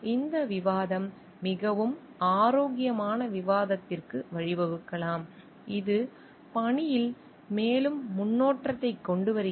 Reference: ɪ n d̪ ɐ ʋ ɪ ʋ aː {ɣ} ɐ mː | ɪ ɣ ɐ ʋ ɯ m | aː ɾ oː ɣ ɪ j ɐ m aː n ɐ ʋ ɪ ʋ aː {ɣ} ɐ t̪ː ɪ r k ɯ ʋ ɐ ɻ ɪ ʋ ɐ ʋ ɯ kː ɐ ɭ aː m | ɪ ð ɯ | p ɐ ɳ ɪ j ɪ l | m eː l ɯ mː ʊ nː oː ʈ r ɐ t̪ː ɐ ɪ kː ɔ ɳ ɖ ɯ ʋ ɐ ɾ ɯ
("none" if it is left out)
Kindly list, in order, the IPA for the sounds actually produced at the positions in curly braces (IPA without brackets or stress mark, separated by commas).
ð, ð